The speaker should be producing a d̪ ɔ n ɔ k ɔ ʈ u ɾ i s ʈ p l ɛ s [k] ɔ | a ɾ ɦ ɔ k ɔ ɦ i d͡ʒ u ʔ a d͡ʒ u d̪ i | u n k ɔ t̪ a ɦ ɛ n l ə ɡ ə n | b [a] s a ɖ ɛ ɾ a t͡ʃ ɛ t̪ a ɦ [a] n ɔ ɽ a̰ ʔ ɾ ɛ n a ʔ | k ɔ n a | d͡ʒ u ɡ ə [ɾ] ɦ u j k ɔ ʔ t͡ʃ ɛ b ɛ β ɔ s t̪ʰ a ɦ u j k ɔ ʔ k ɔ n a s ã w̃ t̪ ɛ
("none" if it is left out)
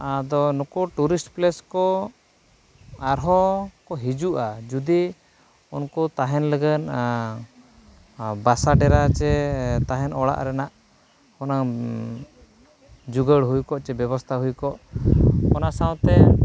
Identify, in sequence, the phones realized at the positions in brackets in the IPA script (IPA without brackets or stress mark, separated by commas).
k, a, ɛ, ɽ